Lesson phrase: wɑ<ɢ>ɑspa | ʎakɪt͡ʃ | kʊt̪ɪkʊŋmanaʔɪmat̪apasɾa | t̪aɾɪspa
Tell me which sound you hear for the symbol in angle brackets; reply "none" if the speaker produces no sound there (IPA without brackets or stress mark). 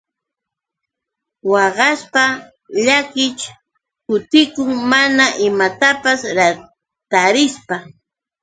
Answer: ɢ